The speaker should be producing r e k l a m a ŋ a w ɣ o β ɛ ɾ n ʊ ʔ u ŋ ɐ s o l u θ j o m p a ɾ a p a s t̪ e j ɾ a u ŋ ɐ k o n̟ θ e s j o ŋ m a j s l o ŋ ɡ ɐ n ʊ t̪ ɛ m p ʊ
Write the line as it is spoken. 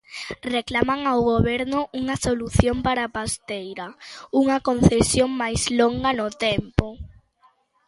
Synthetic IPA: r e k l a m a ŋ a w ɣ o β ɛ ɾ n ʊ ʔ u ŋ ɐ s o l u θ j o m p a ɾ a p a s t̪ e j ɾ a u ŋ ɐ k o n̟ θ e s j o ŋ m a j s l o ŋ ɡ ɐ n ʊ t̪ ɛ m p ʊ